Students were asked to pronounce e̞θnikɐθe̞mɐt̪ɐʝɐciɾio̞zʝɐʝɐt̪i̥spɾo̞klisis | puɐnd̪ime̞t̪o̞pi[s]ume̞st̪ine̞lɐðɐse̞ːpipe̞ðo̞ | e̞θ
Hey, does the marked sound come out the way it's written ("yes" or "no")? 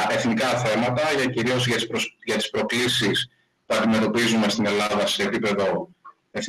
no